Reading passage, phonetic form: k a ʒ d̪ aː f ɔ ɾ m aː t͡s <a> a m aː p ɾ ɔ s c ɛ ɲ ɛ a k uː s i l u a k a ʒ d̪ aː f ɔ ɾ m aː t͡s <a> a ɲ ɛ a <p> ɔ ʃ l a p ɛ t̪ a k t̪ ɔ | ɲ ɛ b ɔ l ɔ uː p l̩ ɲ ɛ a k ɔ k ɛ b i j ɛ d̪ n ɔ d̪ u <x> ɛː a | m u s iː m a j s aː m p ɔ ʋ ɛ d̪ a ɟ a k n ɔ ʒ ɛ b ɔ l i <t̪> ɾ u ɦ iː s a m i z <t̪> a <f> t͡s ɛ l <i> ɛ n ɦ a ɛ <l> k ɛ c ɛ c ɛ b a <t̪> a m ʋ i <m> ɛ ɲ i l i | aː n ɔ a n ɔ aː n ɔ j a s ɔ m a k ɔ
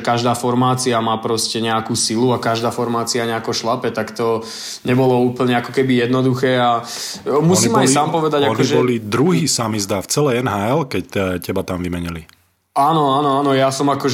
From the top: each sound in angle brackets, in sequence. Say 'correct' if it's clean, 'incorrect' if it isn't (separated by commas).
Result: incorrect, incorrect, incorrect, correct, incorrect, incorrect, correct, incorrect, correct, correct, correct